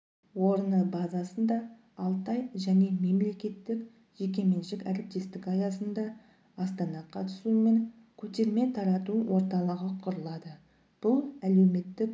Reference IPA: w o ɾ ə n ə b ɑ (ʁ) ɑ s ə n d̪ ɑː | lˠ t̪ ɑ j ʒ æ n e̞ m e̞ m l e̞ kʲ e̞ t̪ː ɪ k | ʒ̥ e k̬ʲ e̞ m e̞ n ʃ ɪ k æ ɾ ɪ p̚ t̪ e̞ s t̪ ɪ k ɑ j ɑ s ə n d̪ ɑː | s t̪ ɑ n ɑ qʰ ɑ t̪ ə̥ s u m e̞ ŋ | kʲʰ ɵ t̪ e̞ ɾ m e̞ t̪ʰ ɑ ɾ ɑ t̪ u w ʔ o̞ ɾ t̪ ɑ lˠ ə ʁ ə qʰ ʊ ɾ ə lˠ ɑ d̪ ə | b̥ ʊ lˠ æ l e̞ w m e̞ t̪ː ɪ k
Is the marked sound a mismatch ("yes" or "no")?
yes